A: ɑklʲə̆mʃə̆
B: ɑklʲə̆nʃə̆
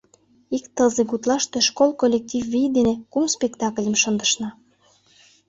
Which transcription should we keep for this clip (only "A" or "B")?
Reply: A